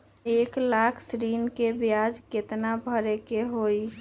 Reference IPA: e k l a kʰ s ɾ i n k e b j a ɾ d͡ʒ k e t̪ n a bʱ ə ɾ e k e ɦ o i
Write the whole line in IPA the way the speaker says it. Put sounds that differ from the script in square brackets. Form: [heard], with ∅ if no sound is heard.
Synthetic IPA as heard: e k l a kʰ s ɾ i n k e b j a [∅] d͡ʒ k e t̪ n a bʱ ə ɾ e k e ɦ o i